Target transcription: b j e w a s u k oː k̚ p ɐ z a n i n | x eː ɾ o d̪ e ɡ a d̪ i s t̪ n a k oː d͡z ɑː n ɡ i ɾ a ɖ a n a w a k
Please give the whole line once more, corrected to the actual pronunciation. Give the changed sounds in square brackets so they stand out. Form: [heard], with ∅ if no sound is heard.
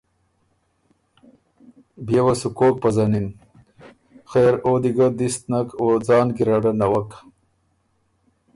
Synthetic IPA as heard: b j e w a s u k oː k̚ p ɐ z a n i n | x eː ɾ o d̪ [i] ɡ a d̪ i s t̪ n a k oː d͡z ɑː n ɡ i ɾ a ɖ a n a w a k